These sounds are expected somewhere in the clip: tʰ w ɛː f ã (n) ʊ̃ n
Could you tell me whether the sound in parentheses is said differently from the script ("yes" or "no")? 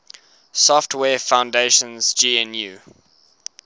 yes